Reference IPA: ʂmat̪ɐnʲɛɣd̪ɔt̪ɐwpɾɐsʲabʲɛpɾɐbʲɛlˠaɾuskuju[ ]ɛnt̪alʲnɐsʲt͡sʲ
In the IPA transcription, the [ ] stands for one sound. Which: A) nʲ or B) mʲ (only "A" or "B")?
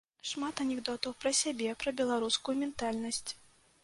B